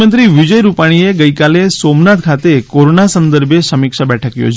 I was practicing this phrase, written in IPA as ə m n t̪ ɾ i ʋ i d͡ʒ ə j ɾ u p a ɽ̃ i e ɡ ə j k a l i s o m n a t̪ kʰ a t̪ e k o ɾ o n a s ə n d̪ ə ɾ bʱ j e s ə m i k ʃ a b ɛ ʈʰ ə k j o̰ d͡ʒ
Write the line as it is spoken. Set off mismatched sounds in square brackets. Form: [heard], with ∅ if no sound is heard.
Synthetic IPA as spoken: ə [∅] n t̪ ɾ i ʋ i d͡ʒ ə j ɾ u p a ɽ̃ i e ɡ ə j k a l [e] s o m n a t̪ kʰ a t̪ e k o ɾ o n a s ə n d̪ ə ɾ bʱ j e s ə m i k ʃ a b ɛ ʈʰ ə k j o̰ d͡ʒ